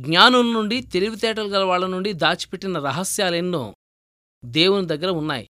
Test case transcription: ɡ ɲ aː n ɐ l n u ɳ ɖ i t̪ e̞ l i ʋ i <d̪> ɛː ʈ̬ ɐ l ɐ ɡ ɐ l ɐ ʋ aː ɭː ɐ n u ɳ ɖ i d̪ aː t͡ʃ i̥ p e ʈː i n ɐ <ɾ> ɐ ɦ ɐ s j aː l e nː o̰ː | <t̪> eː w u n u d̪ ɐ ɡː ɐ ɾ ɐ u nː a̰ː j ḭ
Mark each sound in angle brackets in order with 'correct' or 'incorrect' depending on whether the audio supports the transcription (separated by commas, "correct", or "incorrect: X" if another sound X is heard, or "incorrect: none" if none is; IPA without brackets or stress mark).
incorrect: t̪, correct, incorrect: d̪